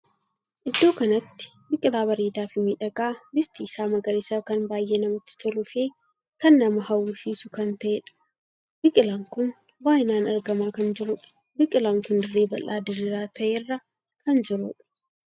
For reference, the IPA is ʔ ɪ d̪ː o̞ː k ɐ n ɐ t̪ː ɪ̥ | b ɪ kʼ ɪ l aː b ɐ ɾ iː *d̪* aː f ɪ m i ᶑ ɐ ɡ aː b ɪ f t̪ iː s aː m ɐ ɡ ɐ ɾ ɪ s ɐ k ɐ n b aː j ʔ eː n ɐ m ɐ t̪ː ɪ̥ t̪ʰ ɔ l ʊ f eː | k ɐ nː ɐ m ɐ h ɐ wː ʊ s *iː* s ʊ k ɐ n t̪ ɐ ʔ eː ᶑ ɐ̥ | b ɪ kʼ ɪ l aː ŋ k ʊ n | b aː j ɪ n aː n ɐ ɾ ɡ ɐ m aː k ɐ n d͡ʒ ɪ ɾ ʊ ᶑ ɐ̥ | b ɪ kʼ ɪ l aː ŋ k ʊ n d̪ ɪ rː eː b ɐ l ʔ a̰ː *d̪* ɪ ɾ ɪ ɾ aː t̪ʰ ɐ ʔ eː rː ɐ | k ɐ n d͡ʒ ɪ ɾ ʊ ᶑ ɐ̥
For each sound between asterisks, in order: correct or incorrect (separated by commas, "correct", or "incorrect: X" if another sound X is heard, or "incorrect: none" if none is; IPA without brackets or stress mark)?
correct, correct, correct